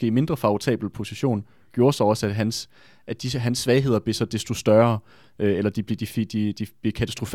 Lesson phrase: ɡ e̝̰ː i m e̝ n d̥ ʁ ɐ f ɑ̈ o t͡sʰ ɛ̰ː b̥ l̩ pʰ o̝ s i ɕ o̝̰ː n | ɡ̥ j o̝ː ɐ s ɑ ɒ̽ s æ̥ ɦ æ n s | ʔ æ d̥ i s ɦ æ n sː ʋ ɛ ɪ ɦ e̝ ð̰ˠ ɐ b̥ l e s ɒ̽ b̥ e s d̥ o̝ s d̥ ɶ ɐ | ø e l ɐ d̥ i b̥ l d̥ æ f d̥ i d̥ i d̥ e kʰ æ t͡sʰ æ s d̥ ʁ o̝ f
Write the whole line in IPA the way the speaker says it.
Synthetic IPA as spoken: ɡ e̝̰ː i m e̝ n d̥ ʁ ɐ f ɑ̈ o t͡sʰ ɛ̰ː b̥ l̩ pʰ o̝ s i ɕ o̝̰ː n | ɡ̥ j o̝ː ɐ s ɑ ɒ̽ s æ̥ ɦ æ n s | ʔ æ d̥ i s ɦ æ n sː ʋ ɛ ɪ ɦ e̝ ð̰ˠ ɐ b̥ l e s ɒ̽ d̥ e s d̥ o̝ s d̥ ɶ ɐ | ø e l ɐ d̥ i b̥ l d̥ i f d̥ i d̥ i b̥ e kʰ æ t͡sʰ æ s d̥ ʁ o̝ f